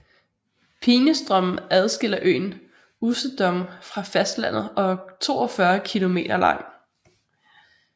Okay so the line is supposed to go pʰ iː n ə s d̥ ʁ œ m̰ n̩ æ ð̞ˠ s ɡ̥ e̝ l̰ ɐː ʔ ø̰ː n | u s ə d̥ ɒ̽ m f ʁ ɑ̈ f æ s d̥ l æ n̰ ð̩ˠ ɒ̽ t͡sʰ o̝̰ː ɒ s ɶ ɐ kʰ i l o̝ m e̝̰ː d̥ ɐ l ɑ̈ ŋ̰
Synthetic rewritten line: pʰ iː n ə s d̥ ʁ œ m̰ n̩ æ ð̞ˠ s ɡ̥ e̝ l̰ ɐ ʔ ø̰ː n | u s ə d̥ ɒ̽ m f ʁ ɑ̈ f æ s d̥ l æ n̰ ð̩ˠ ɒ̽ t͡sʰ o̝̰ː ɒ f ɶ ɐ kʰ i l o̝ m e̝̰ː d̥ ɐ l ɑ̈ ŋ̰